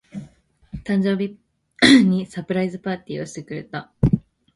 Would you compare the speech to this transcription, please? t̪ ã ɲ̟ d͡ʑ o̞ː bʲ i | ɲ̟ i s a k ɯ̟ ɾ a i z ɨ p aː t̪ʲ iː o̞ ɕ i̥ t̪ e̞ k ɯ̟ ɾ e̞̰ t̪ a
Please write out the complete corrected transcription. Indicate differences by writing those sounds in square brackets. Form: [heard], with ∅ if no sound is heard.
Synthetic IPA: t̪ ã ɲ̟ d͡ʑ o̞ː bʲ i | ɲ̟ i s a [p] ɯ̟ ɾ a i z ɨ p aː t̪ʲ iː o̞ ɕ i̥ t̪ e̞ k ɯ̟ ɾ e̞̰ t̪ a